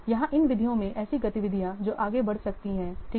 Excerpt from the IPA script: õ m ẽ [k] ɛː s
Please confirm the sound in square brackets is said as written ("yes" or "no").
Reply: no